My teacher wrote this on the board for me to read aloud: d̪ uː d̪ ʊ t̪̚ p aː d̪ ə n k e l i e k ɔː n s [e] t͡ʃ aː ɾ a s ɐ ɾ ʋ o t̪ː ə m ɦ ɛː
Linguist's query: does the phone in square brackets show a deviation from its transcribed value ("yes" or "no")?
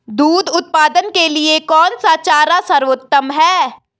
yes